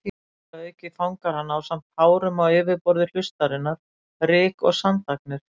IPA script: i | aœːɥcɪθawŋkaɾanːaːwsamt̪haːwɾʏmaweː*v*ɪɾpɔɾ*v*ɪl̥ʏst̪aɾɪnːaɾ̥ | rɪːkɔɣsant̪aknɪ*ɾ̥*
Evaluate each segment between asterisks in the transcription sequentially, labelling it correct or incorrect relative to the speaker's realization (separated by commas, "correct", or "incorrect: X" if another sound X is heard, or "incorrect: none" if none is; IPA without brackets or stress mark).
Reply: correct, incorrect: ð, correct